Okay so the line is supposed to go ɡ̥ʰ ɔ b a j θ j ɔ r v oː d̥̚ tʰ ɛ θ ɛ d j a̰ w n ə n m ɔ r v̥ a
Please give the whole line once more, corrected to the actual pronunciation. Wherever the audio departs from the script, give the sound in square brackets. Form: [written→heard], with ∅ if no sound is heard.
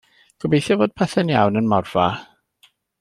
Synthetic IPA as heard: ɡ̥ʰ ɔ b [a→e] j θ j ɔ [r→∅] v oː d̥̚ [tʰ→pʰ] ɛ θ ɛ [d→n] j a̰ w n ə n m ɔ r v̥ a